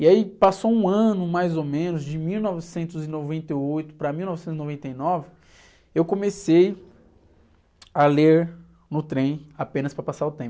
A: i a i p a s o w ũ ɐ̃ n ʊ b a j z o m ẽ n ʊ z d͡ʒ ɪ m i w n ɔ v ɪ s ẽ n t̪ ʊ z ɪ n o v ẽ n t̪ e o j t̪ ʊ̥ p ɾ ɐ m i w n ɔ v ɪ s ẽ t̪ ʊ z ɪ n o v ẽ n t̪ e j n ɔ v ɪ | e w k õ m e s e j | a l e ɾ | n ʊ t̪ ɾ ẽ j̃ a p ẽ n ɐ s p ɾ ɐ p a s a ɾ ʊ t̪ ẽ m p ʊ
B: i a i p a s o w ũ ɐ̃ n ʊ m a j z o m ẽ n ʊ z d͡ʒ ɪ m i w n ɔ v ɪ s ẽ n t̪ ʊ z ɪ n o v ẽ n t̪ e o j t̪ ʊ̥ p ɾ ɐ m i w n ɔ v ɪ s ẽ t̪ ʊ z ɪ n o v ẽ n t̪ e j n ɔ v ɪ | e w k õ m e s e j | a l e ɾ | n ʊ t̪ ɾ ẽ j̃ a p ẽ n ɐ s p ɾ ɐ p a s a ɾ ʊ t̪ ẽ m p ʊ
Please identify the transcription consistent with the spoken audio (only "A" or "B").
B